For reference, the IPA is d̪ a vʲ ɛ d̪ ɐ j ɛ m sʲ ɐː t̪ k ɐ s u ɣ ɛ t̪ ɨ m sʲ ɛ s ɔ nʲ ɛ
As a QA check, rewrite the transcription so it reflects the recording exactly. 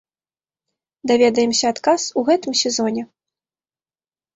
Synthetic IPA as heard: d̪ a vʲ ɛ d̪ ɐ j ɛ m sʲ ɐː t̪ k a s u ɣ ɛ t̪ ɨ m sʲ ɛ z ɔ nʲ ɛ